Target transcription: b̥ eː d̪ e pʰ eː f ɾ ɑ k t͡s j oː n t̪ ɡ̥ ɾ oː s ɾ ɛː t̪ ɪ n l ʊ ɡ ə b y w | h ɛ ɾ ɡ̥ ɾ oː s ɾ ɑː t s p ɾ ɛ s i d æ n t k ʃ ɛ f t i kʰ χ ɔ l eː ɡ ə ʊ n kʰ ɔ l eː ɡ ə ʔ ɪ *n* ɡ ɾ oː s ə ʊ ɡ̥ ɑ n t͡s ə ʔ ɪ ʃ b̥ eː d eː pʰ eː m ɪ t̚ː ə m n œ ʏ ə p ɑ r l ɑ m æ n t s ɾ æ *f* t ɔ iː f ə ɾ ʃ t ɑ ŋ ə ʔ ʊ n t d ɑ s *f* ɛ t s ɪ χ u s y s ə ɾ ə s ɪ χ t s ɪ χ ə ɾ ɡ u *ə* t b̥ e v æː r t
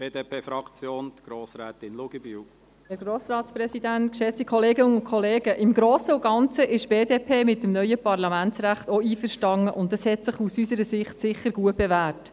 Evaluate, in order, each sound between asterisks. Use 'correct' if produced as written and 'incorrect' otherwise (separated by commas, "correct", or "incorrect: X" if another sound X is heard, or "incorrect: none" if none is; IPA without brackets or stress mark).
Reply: incorrect: m, incorrect: χ, incorrect: h, correct